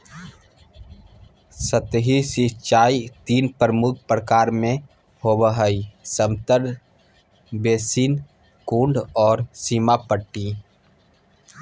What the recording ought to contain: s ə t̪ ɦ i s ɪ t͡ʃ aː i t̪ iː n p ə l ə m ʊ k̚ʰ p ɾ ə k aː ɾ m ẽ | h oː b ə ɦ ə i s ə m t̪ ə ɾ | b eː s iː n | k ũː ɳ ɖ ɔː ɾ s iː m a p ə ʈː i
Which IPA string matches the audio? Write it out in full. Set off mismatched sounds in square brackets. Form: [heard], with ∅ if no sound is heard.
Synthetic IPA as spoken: s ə t̪ ɦ i s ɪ t͡ʃ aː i t̪ iː n p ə [ɾ] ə m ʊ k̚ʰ p ɾ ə k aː ɾ m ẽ | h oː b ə ɦ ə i s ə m t̪ ə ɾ | b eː s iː n | k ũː ɳ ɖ ɔː ɾ s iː m a p ə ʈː i